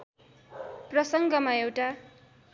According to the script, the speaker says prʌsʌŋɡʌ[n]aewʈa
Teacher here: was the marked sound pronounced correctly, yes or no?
no